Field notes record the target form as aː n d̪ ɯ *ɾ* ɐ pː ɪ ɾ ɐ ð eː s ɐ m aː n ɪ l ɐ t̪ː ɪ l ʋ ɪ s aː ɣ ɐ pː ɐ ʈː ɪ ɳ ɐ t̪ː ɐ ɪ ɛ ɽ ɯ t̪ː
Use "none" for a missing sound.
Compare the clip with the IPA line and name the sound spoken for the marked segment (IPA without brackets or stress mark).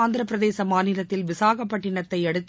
ɾ